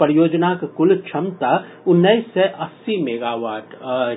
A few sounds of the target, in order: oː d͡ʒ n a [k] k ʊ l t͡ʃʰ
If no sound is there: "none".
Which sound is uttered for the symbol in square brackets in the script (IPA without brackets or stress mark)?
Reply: k